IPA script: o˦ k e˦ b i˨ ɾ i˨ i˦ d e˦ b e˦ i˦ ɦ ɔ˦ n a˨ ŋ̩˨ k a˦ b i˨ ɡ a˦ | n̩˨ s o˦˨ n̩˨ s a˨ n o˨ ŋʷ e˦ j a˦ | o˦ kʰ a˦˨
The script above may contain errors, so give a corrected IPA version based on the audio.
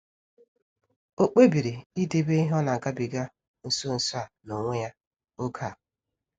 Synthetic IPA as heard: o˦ k͡p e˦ b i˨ ɾ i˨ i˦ d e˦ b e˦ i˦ ɦ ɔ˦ n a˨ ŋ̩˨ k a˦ b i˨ ɡ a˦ | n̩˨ s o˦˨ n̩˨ s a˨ n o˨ ŋʷ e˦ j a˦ | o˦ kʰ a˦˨